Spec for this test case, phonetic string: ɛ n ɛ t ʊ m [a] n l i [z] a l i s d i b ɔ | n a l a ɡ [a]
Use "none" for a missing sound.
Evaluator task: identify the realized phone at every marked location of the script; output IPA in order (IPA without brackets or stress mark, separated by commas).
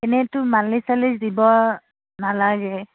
a, s, ɛ